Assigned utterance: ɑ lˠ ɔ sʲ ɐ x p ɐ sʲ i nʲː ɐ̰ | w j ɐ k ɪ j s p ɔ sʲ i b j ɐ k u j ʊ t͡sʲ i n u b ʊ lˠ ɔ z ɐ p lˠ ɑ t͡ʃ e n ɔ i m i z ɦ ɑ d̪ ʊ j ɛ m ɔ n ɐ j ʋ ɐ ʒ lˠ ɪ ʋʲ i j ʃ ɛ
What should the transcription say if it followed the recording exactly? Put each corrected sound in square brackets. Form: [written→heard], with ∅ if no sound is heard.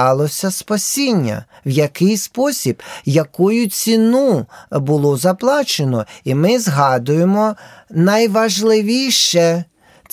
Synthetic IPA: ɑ lˠ ɔ sʲ ɐ [x→s] p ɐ sʲ i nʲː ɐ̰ | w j ɐ k ɪ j s p ɔ sʲ i b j ɐ k u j ʊ t͡sʲ i n u b ʊ lˠ ɔ z ɐ p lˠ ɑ t͡ʃ e n ɔ i m [i→ɪ] z ɦ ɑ d̪ ʊ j [ɛ→e] m ɔ n ɐ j ʋ ɐ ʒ lˠ ɪ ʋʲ i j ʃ ɛ